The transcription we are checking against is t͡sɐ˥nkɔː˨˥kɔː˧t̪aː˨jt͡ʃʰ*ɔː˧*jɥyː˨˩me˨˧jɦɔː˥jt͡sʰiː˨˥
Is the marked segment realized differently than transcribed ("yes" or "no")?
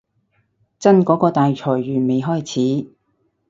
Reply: yes